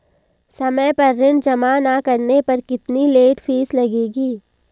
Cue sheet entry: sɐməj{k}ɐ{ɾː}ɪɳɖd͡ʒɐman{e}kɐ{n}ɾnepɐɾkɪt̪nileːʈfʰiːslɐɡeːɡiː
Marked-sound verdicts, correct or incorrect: incorrect: p, correct, incorrect: a, incorrect: none

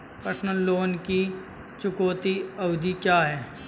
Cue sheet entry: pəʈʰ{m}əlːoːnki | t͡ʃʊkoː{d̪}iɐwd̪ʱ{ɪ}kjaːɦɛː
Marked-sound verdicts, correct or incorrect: incorrect: n, incorrect: t̪, incorrect: i

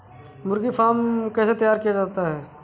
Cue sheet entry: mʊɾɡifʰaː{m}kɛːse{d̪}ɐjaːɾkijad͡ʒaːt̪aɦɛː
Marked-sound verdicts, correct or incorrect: correct, incorrect: t̪

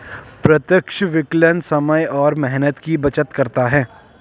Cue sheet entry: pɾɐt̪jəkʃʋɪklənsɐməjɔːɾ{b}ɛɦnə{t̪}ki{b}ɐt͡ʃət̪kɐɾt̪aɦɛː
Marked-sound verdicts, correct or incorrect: incorrect: m, correct, correct

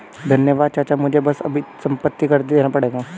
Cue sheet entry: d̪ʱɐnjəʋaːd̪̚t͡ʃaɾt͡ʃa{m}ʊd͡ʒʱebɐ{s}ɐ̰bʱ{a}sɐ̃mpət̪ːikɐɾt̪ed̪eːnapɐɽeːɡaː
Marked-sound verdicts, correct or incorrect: correct, correct, incorrect: i

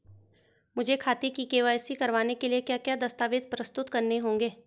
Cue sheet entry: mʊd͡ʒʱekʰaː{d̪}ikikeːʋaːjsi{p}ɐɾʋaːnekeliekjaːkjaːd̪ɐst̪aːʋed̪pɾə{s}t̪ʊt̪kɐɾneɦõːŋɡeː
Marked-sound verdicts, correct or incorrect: incorrect: t̪, incorrect: k, correct

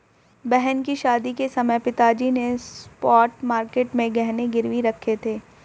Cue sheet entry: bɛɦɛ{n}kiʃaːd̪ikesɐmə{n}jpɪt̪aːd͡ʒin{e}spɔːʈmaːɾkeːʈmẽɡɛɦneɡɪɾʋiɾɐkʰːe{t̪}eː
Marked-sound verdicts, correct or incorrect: correct, incorrect: none, correct, incorrect: t̪ʰ

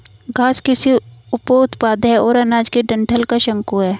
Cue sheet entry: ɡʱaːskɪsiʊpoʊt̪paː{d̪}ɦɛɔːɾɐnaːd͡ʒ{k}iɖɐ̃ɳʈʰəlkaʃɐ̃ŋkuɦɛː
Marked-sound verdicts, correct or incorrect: correct, correct

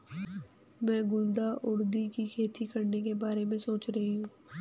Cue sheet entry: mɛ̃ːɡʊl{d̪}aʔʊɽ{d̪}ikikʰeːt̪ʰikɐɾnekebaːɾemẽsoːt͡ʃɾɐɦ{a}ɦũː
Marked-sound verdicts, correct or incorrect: correct, correct, incorrect: i

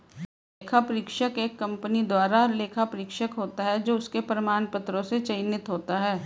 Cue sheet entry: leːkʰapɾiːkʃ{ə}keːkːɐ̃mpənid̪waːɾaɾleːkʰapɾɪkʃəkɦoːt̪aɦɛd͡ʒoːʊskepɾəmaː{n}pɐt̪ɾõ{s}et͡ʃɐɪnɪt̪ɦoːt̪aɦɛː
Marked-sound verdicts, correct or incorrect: correct, correct, correct

